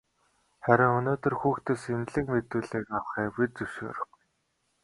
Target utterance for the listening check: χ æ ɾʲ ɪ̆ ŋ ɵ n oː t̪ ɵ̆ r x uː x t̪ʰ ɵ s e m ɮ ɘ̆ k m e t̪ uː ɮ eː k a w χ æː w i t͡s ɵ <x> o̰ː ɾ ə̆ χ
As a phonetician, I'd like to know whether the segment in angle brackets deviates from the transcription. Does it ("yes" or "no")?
yes